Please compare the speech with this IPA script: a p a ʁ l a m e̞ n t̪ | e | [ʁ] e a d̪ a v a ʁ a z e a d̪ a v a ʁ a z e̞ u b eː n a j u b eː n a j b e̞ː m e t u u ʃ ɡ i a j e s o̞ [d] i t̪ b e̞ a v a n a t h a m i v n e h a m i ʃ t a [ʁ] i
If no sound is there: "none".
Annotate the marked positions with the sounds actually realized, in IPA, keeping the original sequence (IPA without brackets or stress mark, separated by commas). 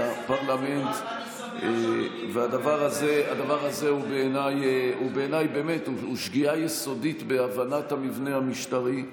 v, d, ʁ